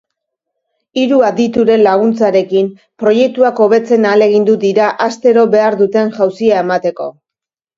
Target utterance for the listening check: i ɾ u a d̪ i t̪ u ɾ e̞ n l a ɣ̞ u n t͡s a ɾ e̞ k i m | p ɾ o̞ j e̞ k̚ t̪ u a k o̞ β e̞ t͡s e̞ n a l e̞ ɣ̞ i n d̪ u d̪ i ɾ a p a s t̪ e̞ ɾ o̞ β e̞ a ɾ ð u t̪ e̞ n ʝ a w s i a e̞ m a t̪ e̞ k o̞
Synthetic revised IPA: i ɾ u a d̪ i t̪ u ɾ e̞ n l a ɣ̞ u n t͡s a ɾ e̞ k i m | p ɾ o̞ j e̞ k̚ t̪ u a k o̞ β e̞ t͡s e̞ n a l e̞ ɣ̞ i n d̪ u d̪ i ɾ a ʔ a s t̪ e̞ ɾ o̞ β e̞ a ɾ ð u t̪ e̞ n ʝ a w s i a e̞ m a t̪ e̞ k o̞